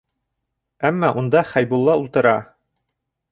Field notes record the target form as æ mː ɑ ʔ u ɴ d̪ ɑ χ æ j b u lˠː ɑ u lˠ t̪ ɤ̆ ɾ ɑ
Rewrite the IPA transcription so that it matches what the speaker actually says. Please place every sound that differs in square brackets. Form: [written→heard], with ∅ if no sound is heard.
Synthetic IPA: æ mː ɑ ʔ u [ɴ→n] d̪ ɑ χ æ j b u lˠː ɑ u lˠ t̪ ɤ̆ ɾ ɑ